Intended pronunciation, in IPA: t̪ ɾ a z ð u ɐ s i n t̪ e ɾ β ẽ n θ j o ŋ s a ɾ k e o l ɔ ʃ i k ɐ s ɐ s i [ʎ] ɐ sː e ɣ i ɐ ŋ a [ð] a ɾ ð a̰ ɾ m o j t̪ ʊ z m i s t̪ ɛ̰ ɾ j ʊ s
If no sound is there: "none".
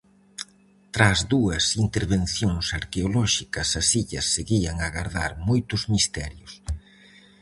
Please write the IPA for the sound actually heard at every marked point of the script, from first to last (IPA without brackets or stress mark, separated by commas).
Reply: ʎ, ɣ